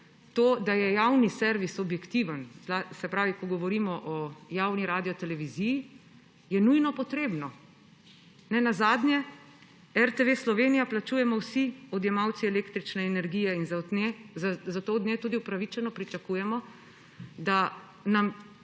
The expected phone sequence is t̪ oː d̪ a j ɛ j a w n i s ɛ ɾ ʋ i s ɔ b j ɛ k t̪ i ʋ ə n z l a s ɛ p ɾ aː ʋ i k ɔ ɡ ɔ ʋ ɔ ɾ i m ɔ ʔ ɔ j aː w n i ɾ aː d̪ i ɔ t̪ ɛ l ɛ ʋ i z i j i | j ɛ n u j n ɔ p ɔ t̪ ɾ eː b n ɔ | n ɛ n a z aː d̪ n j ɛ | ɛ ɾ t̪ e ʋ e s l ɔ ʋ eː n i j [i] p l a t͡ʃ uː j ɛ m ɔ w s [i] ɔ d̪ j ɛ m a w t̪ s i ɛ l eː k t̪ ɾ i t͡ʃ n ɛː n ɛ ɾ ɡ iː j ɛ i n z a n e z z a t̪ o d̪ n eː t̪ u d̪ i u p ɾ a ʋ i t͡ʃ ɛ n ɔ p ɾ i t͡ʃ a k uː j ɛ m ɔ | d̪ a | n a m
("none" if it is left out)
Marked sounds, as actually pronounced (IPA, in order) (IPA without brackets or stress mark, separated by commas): a, i